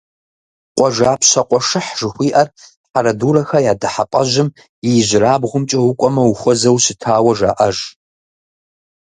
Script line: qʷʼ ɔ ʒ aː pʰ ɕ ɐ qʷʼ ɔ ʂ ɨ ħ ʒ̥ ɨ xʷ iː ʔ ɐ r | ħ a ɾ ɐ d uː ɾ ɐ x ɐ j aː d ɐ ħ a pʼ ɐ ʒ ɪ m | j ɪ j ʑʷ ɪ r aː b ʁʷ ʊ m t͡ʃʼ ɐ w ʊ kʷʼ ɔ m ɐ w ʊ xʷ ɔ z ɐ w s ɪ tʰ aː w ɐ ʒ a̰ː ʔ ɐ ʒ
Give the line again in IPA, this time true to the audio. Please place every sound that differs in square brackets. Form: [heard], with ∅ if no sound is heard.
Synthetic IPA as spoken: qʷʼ ɔ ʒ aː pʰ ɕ ɐ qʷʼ ɔ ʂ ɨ ħ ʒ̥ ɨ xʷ iː ʔ ɐ r | ħ a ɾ ɐ d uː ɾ ɐ x ɐ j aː d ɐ ħ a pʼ ɐ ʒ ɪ m | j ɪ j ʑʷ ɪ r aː b ʁʷ ʊ m t͡ʃʼ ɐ w ʊ kʷʼ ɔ m ɐ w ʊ xʷ ɔ z ɐ w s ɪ tʰ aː w ɐ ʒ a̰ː ʔ ɐ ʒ

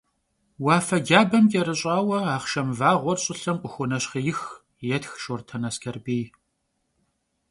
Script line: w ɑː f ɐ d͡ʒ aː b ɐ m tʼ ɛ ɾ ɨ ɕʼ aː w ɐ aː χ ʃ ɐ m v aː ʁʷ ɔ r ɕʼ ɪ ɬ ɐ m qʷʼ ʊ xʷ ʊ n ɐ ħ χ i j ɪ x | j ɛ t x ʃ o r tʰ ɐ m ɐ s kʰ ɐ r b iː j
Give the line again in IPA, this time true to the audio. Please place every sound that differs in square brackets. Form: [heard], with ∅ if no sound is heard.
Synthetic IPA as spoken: w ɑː f ɐ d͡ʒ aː b ɐ m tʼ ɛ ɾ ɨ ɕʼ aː w ɐ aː χ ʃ ɐ m v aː ʁʷ ɔ r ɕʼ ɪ ɬ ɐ m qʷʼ ʊ xʷ ʊ n ɐ [ɕ] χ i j ɪ x | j ɛ t x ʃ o r tʰ ɐ [n] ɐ s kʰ ɐ r b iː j

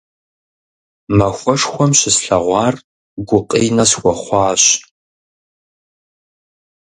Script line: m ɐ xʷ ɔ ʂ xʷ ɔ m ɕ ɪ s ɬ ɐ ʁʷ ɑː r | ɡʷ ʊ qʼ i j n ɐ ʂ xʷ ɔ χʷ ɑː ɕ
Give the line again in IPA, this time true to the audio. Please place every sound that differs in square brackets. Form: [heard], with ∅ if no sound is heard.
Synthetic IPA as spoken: m ɐ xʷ ɔ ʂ xʷ ɔ m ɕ ɪ s ɬ ɐ ʁʷ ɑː r | ɡʷ ʊ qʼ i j n ɐ [s] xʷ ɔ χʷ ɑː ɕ

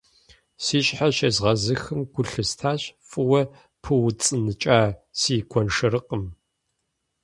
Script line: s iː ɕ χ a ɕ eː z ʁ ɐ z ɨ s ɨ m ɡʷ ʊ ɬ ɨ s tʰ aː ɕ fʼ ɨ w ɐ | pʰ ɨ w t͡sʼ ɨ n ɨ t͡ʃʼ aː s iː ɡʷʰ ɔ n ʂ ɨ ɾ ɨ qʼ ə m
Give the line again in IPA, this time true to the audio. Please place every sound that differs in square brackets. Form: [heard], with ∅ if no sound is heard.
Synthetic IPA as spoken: s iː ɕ [ħ] a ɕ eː z ʁ ɐ z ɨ [x] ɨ m ɡʷ ʊ ɬ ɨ s tʰ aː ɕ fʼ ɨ w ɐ | pʰ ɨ w t͡sʼ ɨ n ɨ t͡ʃʼ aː s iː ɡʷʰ ɔ n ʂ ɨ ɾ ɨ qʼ ə m

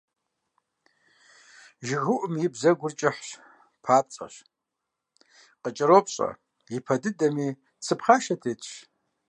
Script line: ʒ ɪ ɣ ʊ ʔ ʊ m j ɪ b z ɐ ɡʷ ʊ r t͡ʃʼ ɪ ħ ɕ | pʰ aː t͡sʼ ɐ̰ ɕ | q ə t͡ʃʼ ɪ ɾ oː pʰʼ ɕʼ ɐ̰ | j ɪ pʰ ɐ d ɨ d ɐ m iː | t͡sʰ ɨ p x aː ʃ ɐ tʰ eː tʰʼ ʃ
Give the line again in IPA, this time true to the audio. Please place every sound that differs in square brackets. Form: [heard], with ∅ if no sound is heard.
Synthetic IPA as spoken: ʒ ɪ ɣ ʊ ʔ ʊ m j ɪ b z ɐ ɡʷ ʊ r t͡ʃʼ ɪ ħ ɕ | pʰ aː t͡sʼ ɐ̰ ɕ | q ə t͡ʃʼ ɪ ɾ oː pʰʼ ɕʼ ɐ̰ | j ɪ pʰ ɐ d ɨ d ɐ m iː | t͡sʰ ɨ p [χ] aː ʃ ɐ tʰ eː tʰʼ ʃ

